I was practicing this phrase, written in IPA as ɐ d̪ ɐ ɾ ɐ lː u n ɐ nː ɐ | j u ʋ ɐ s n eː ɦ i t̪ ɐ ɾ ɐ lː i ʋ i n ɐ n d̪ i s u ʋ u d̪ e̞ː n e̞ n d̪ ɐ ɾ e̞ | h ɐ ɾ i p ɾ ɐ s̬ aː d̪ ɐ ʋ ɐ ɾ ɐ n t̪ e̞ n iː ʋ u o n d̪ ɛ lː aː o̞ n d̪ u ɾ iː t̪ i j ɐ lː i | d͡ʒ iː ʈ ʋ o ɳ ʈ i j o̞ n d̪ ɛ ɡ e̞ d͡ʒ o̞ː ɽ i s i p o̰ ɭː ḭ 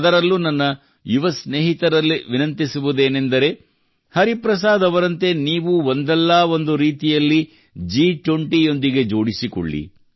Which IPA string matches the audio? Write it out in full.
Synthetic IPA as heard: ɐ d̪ ɐ ɾ ɐ lː u n ɐ nː ɐ | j u ʋ ɐ s n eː ɦ i t̪ ɐ ɾ ɐ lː i ʋ i n ɐ n t̪ i s u ʋ u d̪ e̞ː n e̞ n d̪ ɐ ɾ e̞ | h ɐ ɾ i p ɾ ɐ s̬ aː d̪ ɐ ʋ ɐ ɾ ɐ n t̪ e̞ n iː ʋ u o n d̪ ɛ lː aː o̞ n d̪ u ɾ iː t̪ i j ɐ lː i | d͡ʒ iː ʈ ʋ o ɳ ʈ i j o̞ n d̪ i ɡ e̞ d͡ʒ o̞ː ɽ i s i k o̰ ɭː ḭ